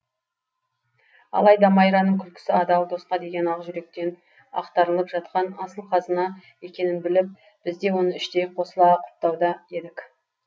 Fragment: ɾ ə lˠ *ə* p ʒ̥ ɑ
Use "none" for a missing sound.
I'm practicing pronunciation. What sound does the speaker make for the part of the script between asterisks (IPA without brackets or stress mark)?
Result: ə